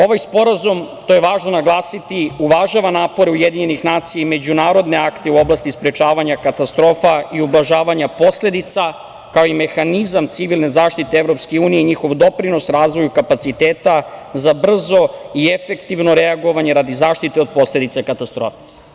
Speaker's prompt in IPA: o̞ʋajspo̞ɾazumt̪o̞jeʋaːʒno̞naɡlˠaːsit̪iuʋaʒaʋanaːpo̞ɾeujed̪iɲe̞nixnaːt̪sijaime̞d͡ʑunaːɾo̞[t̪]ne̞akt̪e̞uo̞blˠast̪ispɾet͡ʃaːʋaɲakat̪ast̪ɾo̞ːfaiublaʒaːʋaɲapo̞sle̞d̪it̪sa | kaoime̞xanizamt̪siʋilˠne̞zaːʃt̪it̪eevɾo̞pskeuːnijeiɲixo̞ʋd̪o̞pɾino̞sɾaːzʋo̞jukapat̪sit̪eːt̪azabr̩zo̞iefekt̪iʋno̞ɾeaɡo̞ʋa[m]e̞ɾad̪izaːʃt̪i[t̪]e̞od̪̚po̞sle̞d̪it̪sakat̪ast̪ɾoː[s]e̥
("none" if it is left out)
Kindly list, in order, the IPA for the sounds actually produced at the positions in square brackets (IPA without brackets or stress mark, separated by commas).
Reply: d̪, ɲ, t̪, f